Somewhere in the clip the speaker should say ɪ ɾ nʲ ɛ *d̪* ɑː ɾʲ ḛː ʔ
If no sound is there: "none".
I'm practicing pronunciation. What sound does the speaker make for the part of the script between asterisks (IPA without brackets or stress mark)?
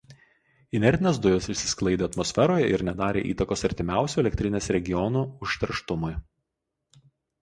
d̪